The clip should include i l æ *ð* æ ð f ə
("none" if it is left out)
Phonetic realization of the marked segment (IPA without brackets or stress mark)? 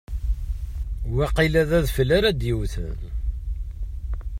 ð